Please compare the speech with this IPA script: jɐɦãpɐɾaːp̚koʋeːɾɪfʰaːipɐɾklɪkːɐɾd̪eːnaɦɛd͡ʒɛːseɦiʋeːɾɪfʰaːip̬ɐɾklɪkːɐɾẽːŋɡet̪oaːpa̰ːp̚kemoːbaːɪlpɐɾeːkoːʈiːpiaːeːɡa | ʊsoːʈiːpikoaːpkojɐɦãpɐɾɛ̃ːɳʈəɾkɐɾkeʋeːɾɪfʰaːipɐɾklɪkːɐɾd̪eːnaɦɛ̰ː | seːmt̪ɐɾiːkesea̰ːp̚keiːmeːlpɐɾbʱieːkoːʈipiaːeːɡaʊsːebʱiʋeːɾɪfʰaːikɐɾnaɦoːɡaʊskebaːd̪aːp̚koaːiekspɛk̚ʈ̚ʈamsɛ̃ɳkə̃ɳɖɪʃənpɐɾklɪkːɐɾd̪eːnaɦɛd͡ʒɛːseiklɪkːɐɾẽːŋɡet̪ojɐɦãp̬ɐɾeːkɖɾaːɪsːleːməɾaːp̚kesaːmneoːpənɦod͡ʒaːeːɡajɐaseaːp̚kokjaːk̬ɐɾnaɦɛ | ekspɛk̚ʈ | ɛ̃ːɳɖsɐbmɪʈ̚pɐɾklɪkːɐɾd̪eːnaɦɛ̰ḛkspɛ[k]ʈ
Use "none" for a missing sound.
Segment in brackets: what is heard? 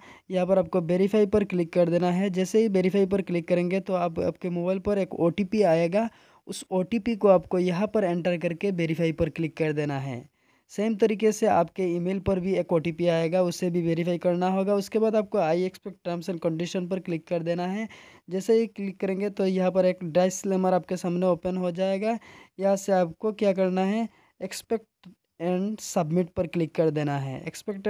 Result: k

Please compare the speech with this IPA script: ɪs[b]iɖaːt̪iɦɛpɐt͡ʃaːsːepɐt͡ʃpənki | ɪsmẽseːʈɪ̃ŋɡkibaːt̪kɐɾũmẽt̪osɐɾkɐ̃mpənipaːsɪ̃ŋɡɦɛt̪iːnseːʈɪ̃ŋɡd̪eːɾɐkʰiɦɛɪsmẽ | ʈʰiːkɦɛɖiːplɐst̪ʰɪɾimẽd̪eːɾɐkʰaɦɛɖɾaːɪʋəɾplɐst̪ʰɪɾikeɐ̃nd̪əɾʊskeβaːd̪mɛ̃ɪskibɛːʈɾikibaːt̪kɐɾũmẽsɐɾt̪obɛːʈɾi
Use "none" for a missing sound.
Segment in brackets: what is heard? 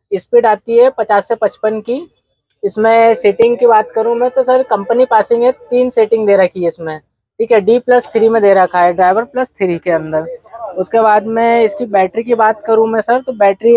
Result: p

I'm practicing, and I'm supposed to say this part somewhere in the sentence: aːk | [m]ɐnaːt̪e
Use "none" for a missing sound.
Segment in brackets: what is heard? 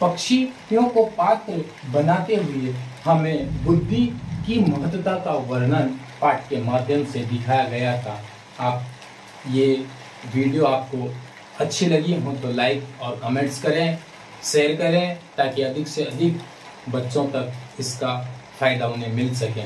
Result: b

